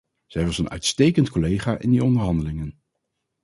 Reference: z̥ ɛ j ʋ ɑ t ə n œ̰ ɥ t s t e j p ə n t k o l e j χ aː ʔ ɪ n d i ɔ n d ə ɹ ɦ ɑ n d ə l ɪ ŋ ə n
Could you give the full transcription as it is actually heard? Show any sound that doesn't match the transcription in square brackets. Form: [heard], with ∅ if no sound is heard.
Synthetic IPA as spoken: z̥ ɛ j ʋ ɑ [s] ə n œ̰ ɥ t s t e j [k] ə n t k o l e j χ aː ʔ ɪ n d i ɔ n d ə ɹ ɦ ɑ n d ə l ɪ ŋ ə n